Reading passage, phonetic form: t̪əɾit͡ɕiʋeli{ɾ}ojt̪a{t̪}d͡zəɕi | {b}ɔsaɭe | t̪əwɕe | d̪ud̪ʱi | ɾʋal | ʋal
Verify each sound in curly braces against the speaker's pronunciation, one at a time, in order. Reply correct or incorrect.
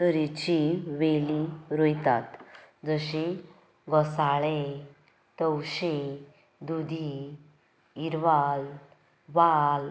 correct, correct, incorrect: ɡ

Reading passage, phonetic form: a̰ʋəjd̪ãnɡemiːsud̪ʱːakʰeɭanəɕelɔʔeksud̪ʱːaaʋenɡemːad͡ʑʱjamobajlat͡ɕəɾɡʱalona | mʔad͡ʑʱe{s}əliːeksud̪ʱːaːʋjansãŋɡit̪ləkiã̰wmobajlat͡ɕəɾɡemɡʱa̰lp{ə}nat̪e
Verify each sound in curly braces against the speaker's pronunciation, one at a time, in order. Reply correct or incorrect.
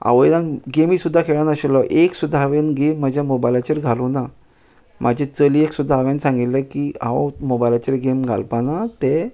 incorrect: t͡s, incorrect: a

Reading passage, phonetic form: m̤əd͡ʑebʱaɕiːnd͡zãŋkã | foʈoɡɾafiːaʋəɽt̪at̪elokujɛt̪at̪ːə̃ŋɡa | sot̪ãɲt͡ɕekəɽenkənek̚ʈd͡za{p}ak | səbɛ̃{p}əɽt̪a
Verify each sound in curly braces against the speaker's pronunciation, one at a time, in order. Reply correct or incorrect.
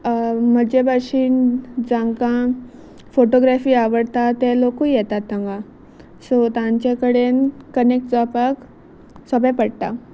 correct, correct

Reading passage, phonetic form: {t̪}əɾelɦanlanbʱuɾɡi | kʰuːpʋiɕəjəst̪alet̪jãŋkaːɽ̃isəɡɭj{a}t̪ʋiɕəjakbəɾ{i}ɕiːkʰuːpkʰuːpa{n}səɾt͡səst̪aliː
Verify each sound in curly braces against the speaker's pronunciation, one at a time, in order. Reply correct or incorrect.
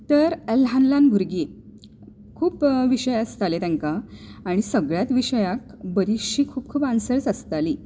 correct, correct, correct, correct

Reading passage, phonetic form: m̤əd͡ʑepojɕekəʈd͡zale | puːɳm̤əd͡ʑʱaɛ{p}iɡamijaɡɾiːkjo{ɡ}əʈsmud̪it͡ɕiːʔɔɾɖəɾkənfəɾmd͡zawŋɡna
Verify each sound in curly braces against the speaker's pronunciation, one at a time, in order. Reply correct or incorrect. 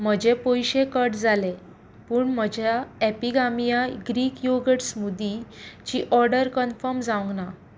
correct, correct

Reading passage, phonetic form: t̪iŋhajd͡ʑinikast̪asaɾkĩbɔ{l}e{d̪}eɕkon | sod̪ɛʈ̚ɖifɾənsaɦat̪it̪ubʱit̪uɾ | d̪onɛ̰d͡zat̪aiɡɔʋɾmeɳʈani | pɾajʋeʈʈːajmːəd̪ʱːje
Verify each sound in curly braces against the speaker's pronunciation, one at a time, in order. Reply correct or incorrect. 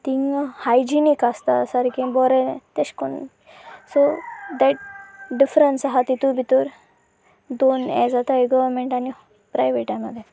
incorrect: ɾ, incorrect: t̪

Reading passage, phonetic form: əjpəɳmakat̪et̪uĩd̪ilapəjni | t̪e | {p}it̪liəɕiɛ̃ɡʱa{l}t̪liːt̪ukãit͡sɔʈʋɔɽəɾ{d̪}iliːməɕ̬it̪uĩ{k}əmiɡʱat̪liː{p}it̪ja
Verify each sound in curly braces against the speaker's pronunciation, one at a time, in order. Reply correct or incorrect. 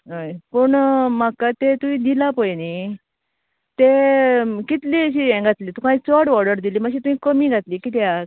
incorrect: k, incorrect: none, correct, correct, incorrect: k

